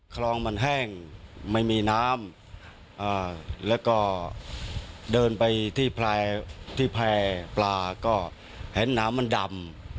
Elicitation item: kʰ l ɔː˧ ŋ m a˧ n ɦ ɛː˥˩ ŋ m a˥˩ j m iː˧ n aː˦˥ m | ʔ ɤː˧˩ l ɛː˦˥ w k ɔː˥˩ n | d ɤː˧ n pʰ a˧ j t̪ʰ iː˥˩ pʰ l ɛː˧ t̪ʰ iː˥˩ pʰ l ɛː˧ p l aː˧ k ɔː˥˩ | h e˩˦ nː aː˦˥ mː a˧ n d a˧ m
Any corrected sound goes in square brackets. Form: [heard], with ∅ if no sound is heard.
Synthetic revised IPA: kʰ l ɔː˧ ŋ m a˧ n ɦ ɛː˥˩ ŋ m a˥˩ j m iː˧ n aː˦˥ m | ʔ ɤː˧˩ l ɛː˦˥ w k ɔː˥˩ [∅] | d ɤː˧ n [p] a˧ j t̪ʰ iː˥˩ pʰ l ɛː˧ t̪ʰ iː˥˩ pʰ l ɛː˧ p l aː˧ k ɔː˥˩ | h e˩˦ nː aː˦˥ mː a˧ n d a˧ m